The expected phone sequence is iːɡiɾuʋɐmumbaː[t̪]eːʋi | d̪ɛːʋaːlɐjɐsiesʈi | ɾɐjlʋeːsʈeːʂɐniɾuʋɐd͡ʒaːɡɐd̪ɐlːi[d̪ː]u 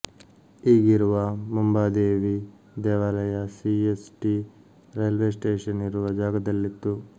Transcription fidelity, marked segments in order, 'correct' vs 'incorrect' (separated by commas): incorrect, incorrect